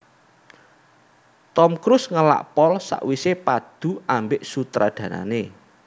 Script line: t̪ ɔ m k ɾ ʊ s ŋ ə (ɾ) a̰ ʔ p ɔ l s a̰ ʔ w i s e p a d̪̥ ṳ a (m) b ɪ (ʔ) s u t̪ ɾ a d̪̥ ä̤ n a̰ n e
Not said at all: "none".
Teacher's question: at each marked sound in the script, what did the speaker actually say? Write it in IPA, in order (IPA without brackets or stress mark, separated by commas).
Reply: l, m, ʔ